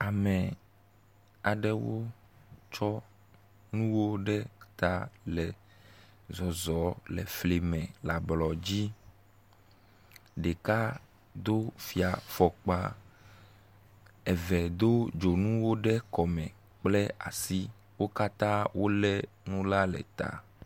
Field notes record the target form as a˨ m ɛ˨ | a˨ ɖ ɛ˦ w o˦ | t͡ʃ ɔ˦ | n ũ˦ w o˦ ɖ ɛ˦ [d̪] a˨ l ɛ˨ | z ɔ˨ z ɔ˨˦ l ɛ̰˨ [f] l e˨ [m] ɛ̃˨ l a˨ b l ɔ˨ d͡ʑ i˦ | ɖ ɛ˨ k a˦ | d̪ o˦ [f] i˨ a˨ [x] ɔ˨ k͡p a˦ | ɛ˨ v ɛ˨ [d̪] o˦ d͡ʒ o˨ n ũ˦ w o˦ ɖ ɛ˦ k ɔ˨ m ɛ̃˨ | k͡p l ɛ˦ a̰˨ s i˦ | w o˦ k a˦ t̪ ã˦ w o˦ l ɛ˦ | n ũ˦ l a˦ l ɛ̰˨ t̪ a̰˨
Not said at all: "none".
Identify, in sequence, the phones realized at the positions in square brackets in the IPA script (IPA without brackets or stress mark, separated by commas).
t̪, f, m, f, f, d̪